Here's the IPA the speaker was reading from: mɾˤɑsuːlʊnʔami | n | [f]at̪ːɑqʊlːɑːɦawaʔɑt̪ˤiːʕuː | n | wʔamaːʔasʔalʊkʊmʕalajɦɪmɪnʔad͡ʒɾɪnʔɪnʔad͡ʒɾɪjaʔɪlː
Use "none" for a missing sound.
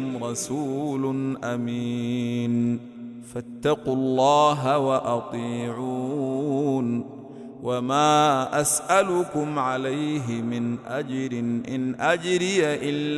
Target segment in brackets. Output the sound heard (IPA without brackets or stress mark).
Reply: f